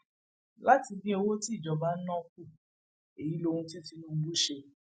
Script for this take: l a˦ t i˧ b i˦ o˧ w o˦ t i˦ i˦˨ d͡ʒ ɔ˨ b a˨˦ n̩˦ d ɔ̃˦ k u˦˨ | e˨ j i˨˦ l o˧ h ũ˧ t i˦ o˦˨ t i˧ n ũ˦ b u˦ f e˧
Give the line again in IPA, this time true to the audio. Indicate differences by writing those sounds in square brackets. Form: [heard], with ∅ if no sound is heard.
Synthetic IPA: l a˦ t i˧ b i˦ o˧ w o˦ t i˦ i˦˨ d͡ʒ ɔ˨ b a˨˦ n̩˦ [n] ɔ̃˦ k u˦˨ | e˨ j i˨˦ l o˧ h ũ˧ t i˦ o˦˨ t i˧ n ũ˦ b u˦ [ʃ] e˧